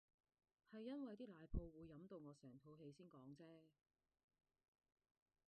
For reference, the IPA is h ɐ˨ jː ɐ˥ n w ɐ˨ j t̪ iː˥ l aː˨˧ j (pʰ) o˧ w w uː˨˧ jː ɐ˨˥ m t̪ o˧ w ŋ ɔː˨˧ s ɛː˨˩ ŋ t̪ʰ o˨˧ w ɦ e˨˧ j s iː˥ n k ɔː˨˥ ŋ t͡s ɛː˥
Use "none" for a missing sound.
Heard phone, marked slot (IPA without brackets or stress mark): pʰ